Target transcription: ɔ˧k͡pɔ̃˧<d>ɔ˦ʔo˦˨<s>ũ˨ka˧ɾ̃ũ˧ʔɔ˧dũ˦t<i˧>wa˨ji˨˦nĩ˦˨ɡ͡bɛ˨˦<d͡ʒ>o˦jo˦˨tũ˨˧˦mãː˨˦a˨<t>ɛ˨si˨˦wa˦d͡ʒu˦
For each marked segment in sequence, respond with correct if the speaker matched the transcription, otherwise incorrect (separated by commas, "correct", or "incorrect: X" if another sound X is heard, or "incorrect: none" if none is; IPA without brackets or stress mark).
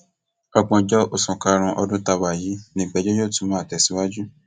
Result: incorrect: d͡ʒ, correct, incorrect: a˧, correct, correct